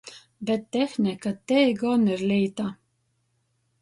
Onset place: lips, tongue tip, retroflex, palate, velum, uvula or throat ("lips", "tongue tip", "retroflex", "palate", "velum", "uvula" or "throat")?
lips